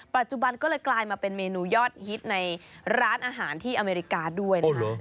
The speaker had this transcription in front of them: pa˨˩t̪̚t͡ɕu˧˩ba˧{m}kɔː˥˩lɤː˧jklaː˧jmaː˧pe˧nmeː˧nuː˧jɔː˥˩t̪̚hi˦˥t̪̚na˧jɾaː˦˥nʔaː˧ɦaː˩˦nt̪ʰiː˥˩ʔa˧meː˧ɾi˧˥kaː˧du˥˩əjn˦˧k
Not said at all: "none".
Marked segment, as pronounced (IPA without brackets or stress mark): n